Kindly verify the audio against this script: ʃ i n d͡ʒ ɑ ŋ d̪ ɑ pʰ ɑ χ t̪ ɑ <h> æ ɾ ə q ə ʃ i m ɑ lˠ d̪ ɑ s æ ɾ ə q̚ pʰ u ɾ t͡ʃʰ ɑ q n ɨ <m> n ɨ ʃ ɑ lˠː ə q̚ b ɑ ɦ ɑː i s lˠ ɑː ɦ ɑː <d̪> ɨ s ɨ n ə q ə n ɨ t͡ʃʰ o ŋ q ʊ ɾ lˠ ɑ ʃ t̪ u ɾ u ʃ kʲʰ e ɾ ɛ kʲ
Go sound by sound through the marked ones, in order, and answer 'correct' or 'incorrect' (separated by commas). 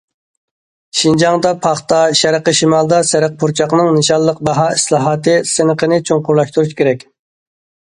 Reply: incorrect, incorrect, incorrect